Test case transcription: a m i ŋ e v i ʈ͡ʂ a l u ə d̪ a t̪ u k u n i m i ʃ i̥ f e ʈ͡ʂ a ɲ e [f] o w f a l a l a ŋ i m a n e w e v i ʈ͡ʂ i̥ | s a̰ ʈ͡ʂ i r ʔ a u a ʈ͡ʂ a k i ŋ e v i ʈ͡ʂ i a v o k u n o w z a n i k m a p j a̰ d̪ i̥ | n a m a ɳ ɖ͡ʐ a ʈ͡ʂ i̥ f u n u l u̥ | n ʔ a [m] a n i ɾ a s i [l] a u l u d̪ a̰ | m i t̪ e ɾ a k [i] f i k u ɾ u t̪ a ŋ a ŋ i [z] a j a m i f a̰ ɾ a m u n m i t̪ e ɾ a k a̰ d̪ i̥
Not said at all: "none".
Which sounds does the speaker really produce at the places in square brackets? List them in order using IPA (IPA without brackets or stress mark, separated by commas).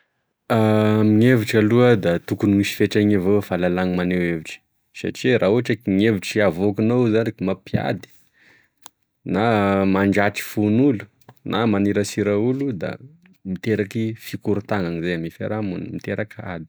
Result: v, m, ɾ, i, z